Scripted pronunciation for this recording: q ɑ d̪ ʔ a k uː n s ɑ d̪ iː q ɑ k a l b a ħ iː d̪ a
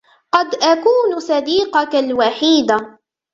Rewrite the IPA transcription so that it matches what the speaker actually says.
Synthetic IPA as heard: q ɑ d̪ ʔ a k uː n s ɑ d̪ iː q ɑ k a l w a ħ iː d̪ a